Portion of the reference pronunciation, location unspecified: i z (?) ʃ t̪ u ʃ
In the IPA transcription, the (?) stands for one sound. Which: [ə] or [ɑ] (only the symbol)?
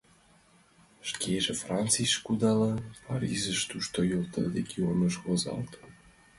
ə